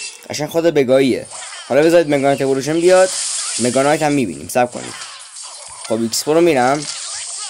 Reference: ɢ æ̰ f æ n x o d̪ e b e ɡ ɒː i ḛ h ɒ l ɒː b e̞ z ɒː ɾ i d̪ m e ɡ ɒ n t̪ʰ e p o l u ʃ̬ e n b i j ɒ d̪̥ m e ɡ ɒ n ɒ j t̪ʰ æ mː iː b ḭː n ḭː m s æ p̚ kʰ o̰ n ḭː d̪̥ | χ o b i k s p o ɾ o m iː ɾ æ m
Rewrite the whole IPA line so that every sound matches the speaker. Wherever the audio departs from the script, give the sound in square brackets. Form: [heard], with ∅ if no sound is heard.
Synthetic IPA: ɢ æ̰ [ʃ] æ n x o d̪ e b e ɡ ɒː i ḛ h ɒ l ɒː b e̞ z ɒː ɾ i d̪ m e ɡ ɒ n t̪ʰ e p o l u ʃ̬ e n b i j ɒ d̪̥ m e ɡ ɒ n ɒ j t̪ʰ æ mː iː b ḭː n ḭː m s æ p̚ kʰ o̰ n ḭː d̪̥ | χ o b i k s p o ɾ o m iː ɾ æ m